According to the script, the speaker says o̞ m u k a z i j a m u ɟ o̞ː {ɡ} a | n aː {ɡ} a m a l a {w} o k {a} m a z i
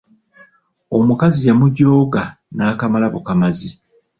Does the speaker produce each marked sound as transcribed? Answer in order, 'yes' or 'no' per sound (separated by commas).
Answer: yes, no, no, yes